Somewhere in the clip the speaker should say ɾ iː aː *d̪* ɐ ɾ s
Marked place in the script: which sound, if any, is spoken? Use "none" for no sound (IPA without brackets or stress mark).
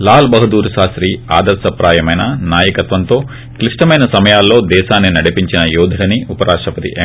d̪